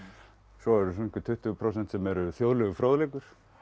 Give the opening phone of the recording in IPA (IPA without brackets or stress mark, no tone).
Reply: s